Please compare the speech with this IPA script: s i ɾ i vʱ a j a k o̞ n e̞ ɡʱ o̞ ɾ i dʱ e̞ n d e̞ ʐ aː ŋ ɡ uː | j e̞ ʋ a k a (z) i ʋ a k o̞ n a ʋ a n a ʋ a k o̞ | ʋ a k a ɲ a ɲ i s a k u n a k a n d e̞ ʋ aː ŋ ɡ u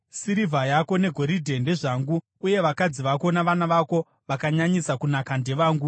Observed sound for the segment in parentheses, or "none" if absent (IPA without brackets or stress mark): d͡z